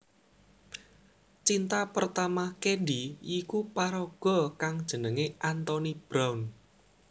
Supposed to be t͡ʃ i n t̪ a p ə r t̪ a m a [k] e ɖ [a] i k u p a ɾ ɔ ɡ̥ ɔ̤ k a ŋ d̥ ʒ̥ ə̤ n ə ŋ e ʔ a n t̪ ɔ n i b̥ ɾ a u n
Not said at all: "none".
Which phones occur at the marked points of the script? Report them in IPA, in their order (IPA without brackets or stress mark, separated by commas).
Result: k, i